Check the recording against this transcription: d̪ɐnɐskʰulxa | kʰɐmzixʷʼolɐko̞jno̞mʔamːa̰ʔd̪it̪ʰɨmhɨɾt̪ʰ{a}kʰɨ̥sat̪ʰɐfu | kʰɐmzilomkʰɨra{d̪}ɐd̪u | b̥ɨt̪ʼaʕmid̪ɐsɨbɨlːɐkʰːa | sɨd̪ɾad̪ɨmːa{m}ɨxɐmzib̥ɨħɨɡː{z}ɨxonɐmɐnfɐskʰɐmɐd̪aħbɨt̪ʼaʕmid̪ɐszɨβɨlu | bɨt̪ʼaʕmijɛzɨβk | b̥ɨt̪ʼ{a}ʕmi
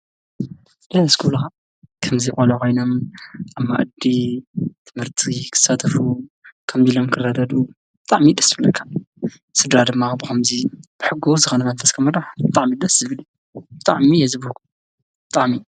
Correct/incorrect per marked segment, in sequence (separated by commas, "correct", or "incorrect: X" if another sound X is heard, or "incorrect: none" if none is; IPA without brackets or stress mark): incorrect: i, correct, incorrect: b, correct, correct